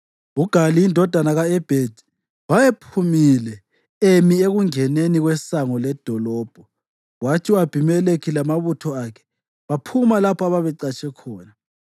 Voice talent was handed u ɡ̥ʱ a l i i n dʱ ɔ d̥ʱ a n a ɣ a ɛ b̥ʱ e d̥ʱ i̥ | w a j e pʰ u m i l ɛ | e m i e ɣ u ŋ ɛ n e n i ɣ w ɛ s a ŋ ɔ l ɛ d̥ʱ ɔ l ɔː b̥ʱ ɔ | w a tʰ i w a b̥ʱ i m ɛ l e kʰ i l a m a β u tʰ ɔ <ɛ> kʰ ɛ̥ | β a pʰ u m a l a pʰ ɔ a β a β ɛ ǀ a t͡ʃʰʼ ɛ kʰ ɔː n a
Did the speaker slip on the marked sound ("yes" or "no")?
yes